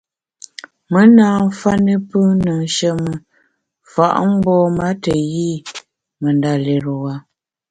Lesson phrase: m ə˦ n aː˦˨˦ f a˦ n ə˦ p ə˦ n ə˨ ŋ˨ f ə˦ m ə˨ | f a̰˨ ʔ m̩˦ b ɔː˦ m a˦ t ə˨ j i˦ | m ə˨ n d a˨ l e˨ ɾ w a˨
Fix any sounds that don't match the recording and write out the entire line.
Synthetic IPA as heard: m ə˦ n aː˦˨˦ f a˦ n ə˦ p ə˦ n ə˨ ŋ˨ ʃ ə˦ m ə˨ | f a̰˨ ʔ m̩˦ b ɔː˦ m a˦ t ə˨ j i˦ | m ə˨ n d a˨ l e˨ ɾ w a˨